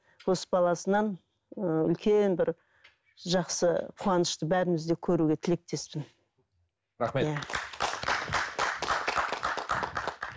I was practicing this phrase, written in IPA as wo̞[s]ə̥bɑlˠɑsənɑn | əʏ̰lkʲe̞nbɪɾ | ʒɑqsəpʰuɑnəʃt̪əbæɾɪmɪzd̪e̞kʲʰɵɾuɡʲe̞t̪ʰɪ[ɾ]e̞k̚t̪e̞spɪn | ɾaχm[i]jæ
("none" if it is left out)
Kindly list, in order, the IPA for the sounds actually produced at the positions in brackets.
s, l, e

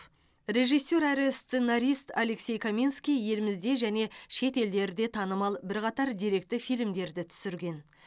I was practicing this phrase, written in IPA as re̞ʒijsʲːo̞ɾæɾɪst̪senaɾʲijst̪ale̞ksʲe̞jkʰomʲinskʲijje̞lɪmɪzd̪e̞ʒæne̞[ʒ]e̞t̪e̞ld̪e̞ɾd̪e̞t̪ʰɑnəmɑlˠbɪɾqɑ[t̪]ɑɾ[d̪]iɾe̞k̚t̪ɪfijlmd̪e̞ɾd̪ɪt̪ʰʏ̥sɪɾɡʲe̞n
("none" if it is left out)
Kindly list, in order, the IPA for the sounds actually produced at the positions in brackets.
ʃ, t̪, d̪

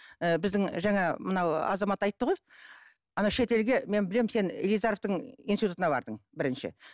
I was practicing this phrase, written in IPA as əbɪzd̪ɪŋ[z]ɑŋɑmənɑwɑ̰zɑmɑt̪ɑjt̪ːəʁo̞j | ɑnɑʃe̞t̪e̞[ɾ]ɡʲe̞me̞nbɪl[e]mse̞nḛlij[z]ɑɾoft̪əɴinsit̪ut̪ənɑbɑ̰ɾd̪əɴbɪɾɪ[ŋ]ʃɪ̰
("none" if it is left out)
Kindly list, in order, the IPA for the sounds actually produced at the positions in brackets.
ʒ, l, e, z, n

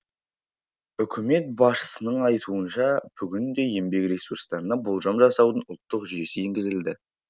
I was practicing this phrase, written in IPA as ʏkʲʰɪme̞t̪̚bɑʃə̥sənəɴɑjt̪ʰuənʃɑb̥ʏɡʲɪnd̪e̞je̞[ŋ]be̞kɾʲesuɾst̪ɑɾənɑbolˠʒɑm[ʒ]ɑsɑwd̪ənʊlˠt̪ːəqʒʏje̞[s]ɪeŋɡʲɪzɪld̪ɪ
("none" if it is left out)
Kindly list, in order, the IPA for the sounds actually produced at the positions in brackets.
m, ʒ, s

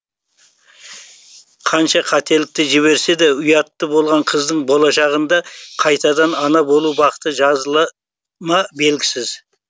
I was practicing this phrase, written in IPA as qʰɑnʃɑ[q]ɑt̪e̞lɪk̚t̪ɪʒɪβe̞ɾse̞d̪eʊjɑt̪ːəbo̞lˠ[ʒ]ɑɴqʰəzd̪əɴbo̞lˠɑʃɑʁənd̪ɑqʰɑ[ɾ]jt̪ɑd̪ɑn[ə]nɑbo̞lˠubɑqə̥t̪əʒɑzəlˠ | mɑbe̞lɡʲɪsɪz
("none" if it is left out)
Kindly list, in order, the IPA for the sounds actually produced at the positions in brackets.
qʰ, ʁ, none, ɑ

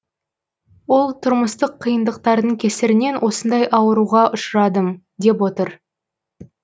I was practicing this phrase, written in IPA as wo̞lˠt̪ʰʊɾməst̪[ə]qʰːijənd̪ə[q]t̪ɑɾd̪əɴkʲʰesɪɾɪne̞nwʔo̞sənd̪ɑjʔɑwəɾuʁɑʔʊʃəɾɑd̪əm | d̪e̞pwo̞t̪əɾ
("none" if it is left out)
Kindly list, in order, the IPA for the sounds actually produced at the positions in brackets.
ə, q

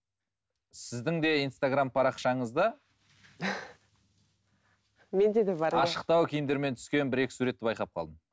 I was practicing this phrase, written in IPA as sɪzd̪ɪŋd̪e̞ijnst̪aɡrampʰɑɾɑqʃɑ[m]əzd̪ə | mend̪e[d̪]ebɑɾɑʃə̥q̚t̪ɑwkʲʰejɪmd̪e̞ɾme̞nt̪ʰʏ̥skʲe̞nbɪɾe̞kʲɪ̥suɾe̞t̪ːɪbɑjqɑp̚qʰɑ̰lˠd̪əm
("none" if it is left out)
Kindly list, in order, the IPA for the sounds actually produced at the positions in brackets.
ɴ, d̪

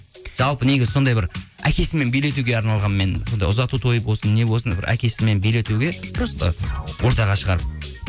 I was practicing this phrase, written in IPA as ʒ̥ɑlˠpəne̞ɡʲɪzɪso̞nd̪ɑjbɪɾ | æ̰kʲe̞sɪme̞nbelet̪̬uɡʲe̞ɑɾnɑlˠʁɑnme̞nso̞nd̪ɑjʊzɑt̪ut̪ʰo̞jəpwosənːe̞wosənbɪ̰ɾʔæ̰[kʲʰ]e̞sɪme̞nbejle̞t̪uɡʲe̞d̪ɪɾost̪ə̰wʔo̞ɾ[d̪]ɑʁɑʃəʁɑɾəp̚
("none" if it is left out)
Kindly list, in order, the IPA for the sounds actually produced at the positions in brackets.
kʲ, t̪

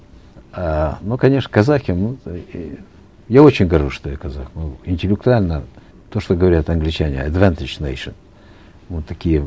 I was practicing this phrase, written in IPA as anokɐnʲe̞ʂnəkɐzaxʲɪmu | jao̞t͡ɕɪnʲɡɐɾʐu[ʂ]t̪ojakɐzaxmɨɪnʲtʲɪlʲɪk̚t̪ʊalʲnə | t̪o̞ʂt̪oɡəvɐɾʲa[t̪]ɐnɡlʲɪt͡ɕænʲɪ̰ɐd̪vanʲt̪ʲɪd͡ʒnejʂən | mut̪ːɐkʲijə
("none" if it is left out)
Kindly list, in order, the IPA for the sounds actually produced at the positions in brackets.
ʂ, t̪

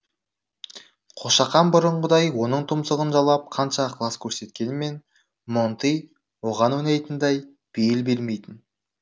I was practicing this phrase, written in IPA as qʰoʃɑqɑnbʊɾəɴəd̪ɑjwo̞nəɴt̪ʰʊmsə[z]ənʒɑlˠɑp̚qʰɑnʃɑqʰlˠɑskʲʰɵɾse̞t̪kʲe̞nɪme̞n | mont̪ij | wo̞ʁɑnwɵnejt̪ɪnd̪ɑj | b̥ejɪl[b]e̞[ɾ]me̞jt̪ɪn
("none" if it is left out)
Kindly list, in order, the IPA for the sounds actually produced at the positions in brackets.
ʁ, b, l

